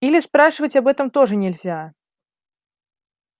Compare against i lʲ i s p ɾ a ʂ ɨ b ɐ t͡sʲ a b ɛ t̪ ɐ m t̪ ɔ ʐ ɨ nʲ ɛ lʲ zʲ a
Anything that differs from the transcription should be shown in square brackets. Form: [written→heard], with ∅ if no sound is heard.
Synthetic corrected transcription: i lʲ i s p ɾ a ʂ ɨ [b→v] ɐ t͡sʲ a b ɛ t̪ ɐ m t̪ ɔ ʐ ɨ nʲ ɛ lʲ zʲ a